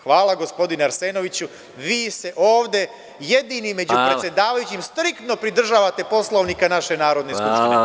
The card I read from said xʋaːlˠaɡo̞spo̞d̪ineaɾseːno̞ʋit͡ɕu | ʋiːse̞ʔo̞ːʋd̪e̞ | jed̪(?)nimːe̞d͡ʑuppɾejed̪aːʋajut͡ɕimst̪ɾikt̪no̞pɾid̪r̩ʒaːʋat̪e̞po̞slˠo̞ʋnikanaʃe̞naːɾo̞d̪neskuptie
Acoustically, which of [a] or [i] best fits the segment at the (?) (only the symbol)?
i